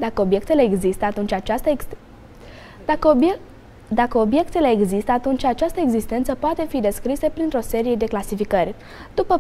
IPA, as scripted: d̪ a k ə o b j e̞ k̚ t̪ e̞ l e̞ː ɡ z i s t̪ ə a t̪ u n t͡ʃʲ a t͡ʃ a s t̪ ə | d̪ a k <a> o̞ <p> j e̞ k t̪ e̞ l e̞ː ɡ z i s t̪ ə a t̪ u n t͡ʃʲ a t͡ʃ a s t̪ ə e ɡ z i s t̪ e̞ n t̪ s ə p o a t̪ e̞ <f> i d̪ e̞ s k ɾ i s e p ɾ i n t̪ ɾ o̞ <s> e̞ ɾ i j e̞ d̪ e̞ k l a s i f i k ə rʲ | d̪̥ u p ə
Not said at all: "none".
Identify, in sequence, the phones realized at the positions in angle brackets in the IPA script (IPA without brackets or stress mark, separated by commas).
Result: ə, b, f, s